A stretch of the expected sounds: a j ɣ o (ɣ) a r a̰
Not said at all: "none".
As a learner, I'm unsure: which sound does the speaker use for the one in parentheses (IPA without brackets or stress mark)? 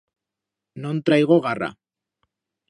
ɣ